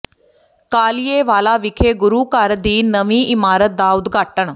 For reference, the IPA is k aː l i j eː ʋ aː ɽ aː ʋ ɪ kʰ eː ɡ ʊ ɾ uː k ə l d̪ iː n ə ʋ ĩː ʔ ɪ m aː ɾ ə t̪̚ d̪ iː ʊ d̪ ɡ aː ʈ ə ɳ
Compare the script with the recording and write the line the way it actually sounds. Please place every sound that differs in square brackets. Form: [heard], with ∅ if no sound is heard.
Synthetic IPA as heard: k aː l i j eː ʋ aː [l] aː ʋ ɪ kʰ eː ɡ ʊ ɾ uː k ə [ɾ] d̪ iː n ə ʋ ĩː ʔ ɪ m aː ɾ ə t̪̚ d̪ [aː] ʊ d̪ ɡ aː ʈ ə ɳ